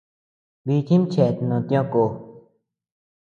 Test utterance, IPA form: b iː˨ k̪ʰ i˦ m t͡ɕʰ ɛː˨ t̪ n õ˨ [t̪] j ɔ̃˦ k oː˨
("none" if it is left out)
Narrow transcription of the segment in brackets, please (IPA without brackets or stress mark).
t̪